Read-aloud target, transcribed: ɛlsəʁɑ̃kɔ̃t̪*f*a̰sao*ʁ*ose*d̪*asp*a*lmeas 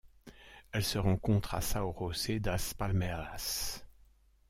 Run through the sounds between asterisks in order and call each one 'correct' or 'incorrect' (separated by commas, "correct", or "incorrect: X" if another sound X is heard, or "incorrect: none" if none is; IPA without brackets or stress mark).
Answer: incorrect: χ, correct, correct, correct